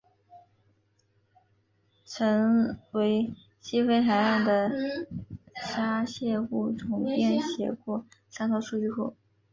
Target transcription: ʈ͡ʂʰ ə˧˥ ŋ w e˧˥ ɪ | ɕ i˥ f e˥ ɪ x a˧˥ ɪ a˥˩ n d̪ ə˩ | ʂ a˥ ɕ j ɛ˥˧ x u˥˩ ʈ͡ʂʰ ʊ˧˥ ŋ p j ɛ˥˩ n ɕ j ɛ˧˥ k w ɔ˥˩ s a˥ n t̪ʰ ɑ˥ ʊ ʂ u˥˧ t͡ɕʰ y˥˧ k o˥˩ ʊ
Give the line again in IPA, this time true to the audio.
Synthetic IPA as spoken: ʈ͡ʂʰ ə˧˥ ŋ w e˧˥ ɪ | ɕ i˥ f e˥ ɪ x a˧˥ ɪ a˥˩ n d̪ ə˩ | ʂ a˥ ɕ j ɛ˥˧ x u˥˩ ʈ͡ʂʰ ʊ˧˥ ŋ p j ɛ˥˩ n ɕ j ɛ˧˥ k w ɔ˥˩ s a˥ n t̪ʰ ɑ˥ ʊ ʂ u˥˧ t͡ɕ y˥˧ x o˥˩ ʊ

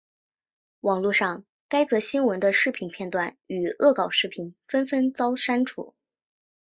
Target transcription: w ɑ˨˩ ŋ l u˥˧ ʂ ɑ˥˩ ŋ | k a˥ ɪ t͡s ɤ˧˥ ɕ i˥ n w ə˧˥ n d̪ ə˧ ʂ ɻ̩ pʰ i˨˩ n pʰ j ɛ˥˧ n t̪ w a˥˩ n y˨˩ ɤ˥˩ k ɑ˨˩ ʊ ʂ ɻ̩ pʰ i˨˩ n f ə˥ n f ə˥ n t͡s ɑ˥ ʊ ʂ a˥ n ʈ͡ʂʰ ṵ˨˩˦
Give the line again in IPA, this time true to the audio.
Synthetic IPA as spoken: w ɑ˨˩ ŋ l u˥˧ ʂ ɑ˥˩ ŋ | k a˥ ɪ t͡s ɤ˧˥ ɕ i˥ n w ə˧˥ n d̪ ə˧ ʂ ɻ̩ pʰ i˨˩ n pʰ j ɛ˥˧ n t̪ w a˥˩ n y˨˩ ɤ˥˩ k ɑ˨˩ ʊ ʂ ɻ̩ pʰ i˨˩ n f ə˥ n f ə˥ n t͡s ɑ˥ ʊ ʂ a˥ n ʈ͡ʂʰ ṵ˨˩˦

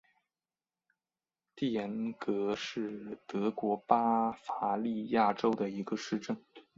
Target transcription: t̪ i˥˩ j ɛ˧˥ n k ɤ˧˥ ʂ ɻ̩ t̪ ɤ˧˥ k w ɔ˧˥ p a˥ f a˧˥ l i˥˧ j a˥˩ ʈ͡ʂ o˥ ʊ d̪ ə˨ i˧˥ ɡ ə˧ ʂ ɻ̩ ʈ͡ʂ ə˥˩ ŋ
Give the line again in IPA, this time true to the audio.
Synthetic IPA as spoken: t̪ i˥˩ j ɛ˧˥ n k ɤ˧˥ ʂ ɻ̩ t̪ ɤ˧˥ k w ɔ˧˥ p a˥ f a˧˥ l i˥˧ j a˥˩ ʈ͡ʂ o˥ ʊ d̪ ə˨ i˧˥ ɡ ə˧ ʂ ɻ̩ ʈ͡ʂ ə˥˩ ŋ

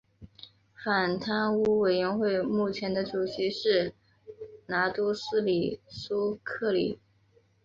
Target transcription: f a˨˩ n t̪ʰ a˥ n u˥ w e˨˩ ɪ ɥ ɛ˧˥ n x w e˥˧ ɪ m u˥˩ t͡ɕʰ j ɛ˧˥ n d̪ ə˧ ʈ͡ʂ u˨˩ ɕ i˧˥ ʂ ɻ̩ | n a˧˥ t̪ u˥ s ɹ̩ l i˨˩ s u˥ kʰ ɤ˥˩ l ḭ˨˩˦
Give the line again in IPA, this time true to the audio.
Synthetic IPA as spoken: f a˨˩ n t̪ʰ a˥ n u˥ w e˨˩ ɪ ɥ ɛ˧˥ n x w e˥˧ ɪ m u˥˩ t͡ɕʰ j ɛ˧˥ n d̪ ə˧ ʈ͡ʂ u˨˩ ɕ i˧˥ ʂ ɻ̩ | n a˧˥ t̪ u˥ s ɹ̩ l i˨˩ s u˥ kʰ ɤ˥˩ l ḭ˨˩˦

